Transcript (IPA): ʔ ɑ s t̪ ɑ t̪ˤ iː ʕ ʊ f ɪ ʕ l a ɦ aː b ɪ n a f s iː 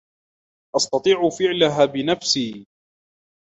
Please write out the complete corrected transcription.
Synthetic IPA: ʔ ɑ s t̪ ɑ t̪ˤ iː ʕ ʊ f ɪ ʕ l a ɦ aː b ɪ n a f s iː